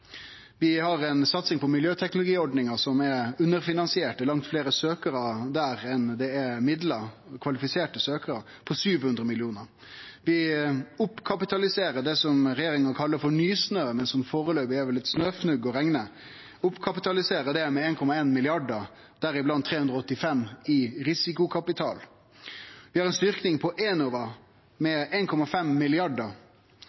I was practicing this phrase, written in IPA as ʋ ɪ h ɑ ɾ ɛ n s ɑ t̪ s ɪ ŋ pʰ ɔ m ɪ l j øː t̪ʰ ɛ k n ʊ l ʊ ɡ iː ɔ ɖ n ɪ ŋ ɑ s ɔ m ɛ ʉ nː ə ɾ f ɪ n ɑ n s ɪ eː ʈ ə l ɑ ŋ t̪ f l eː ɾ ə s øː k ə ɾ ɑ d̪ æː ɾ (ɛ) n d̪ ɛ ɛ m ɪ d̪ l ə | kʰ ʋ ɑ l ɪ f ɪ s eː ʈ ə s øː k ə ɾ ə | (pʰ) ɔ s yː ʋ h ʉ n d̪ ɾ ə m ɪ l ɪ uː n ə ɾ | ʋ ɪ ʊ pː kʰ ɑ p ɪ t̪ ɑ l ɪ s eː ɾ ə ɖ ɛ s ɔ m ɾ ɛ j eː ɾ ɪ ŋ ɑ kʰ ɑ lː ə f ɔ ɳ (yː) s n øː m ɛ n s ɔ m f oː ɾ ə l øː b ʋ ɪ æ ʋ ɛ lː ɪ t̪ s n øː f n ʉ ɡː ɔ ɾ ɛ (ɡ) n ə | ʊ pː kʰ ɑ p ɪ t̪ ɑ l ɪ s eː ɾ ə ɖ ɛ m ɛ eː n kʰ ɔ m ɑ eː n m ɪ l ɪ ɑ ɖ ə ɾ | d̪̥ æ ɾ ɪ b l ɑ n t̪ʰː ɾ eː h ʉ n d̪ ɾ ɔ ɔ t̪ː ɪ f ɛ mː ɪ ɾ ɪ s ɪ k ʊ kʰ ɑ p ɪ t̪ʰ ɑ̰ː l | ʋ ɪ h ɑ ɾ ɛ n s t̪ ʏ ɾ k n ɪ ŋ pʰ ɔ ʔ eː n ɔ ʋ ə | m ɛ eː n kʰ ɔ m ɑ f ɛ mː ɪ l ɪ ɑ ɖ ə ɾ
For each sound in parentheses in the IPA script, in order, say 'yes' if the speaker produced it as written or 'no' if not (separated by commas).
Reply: yes, yes, yes, no